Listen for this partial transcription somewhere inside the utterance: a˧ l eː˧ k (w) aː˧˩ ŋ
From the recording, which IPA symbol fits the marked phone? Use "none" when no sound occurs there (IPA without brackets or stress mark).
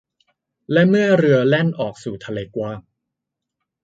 w